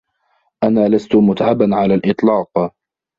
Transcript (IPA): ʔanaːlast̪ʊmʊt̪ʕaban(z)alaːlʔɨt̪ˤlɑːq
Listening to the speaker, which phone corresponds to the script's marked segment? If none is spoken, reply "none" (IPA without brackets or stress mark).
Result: ʕ